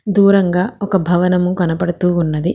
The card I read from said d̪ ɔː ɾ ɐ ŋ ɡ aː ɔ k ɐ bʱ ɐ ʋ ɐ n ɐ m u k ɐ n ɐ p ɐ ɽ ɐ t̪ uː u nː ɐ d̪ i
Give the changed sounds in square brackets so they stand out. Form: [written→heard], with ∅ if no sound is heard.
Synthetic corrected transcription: d̪ [ɔː→uː] ɾ ɐ ŋ ɡ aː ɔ k ɐ bʱ ɐ ʋ ɐ n ɐ m u k ɐ n ɐ p ɐ ɽ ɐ t̪ uː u nː ɐ d̪ i

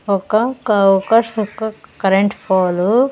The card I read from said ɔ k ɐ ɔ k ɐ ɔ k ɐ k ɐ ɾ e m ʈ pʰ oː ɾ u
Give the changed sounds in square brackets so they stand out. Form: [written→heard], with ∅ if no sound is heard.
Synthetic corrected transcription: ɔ k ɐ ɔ k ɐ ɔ k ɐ k ɐ ɾ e [m→ɳ] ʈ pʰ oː [ɾ→l] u

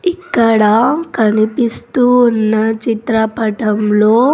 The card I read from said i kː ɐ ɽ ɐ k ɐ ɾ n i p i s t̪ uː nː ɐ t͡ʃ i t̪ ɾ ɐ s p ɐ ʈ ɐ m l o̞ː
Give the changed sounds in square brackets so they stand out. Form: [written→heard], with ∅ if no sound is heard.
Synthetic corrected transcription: i kː ɐ ɽ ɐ k ɐ [ɾ→∅] n i p i s t̪ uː nː ɐ t͡ʃ i t̪ ɾ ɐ [s→∅] p ɐ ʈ ɐ m l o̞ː

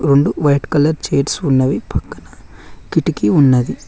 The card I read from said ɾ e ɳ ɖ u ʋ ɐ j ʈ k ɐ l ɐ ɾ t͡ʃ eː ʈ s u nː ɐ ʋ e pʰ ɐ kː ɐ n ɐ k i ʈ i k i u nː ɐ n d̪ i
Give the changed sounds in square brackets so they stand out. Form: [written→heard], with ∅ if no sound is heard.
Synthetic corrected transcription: ɾ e ɳ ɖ u ʋ ɐ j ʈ k ɐ l ɐ ɾ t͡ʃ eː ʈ s u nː ɐ ʋ [e→i] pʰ ɐ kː ɐ n ɐ k i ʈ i k i u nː ɐ [n→∅] d̪ i

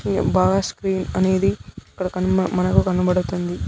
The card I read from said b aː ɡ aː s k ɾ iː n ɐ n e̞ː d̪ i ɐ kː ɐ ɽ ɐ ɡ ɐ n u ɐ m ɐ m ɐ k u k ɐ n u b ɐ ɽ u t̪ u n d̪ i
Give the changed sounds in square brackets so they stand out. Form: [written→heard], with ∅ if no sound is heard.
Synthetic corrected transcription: b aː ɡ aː s k ɾ iː n ɐ n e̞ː d̪ i ɐ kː ɐ ɽ ɐ [ɡ→k] ɐ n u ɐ m ɐ [m→n] ɐ k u k ɐ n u b ɐ ɽ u t̪ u n d̪ i

